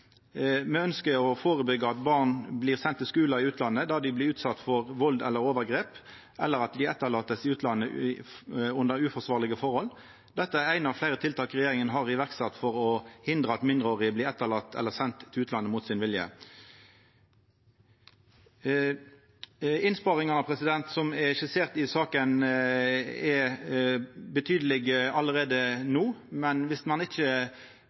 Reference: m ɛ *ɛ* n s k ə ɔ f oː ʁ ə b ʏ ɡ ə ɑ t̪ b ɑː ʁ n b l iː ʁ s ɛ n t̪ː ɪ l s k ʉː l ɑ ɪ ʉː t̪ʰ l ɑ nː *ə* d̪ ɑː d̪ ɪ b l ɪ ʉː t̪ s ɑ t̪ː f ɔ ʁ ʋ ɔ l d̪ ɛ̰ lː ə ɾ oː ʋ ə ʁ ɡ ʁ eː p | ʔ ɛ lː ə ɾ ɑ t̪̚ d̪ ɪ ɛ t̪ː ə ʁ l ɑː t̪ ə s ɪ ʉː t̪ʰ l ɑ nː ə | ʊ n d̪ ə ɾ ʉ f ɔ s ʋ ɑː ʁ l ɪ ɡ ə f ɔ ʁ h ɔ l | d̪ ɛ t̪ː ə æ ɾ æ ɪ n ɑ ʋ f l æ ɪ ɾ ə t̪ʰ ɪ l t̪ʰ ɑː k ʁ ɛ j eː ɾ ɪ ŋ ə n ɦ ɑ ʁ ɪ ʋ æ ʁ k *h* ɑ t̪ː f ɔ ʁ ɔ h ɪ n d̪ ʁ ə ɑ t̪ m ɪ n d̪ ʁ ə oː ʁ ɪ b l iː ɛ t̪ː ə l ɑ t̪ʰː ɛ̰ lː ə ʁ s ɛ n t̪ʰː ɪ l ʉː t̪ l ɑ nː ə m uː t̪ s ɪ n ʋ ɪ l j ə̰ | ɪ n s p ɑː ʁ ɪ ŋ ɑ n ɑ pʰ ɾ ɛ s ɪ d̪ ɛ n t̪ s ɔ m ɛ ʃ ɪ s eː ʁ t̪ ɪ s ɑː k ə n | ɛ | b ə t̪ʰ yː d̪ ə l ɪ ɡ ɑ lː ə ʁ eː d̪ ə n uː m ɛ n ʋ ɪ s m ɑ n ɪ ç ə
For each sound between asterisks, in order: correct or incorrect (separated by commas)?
incorrect, correct, incorrect